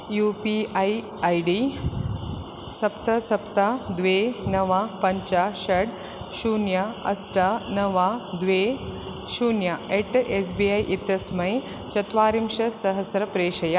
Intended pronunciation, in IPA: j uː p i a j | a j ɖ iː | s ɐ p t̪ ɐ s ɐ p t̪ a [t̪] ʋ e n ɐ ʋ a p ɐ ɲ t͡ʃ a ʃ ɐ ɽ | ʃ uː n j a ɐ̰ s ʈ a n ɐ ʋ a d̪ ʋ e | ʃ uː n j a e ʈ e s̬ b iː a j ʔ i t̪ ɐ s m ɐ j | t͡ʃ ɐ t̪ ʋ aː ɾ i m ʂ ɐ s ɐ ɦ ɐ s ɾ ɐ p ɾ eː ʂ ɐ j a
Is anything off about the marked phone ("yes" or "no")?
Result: yes